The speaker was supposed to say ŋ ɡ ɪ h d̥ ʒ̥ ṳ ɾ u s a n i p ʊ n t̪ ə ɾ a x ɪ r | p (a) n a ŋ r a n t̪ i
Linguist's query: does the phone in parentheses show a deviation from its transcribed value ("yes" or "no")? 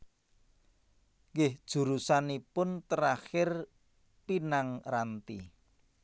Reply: yes